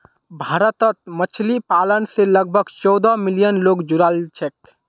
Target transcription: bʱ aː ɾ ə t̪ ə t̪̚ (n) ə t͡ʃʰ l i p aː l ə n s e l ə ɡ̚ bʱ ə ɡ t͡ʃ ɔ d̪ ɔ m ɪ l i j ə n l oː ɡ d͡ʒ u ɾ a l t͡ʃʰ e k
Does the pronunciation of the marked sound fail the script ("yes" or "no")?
yes